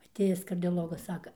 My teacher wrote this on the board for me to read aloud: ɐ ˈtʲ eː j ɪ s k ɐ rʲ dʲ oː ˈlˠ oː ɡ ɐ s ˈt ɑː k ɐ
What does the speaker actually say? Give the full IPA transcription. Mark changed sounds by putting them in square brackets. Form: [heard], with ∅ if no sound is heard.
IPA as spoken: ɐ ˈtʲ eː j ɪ s k ɐ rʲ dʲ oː ˈlˠ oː ɡ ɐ s [ˈs] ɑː k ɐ